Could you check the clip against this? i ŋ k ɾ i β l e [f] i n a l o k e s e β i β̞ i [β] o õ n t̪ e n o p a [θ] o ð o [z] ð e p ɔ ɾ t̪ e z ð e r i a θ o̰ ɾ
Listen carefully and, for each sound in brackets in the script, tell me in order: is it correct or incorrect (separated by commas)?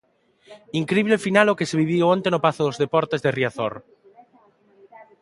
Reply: correct, incorrect, correct, correct